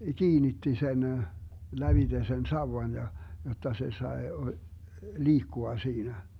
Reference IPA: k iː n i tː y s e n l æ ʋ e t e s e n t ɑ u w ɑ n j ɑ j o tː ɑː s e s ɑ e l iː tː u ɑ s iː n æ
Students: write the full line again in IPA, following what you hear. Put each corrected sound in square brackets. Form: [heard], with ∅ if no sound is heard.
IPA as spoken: k iː n i tː [i] s e n l æ ʋ [i] t e s e n [s] ɑ u w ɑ n j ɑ j o tː [ɑ] s e s ɑ e l iː [kː] u ɑ s iː n æ